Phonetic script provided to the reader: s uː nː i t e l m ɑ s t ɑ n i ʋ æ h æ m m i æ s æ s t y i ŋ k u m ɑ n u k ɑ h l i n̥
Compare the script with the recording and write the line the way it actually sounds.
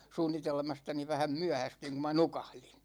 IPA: s uː nː i t e l m ɑ s t ɑ n i ʋ æ h æ m m y æ h æ s t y i ŋ k u m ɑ n u k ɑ h l i n̥